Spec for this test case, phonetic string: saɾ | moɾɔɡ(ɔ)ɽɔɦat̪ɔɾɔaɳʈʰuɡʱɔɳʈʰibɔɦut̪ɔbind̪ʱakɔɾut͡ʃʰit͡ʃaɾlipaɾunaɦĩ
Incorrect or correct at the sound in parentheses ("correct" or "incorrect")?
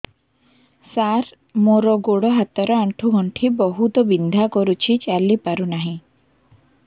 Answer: incorrect